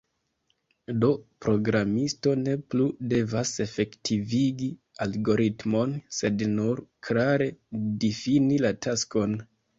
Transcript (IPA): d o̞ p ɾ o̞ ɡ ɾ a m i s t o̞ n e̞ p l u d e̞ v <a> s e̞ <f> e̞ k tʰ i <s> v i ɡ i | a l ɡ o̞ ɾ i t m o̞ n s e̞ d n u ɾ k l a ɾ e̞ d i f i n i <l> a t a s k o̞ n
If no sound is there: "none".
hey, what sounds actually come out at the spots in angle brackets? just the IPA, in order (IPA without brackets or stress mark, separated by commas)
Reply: a, f, none, l